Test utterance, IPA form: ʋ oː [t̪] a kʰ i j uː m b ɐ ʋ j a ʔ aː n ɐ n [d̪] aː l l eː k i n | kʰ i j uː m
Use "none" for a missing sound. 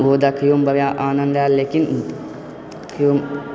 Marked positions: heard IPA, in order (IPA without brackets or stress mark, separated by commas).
d̪, d̪